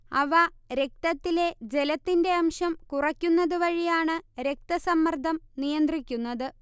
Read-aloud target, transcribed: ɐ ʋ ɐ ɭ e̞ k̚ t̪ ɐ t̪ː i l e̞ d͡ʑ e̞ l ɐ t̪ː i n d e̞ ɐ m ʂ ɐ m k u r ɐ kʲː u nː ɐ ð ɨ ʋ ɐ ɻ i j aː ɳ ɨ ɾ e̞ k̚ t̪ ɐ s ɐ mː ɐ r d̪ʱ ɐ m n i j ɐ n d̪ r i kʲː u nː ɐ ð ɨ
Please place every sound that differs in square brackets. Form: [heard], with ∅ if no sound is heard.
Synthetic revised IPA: ɐ ʋ ɐ [ɾ] e̞ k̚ t̪ ɐ t̪ː i l e̞ d͡ʑ e̞ l ɐ t̪ː i n d e̞ ɐ m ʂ ɐ m k u r ɐ kʲː u nː ɐ ð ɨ ʋ ɐ ɻ i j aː ɳ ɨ ɾ e̞ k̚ t̪ ɐ s ɐ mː ɐ r d̪ʱ ɐ m n i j ɐ n d̪ r i kʲː u nː ɐ ð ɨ